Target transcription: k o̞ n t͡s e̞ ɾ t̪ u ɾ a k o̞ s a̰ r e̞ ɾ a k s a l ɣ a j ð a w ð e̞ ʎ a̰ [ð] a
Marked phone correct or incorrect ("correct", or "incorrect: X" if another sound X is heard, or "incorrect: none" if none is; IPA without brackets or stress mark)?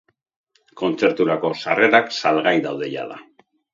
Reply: correct